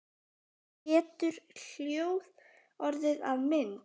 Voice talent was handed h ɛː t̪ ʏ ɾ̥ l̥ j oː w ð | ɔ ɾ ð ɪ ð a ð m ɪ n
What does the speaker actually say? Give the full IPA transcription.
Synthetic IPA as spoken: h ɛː t̪ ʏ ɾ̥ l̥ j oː w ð | ɔ ɾ ð ɪ ð a v m ɪ n